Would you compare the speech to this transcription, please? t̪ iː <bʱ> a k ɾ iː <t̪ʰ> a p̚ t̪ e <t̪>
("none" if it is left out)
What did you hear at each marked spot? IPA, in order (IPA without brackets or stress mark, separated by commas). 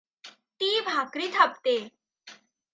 bʱ, t̪ʰ, none